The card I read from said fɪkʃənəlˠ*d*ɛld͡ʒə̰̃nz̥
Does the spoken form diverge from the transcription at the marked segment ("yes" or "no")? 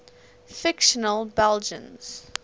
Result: yes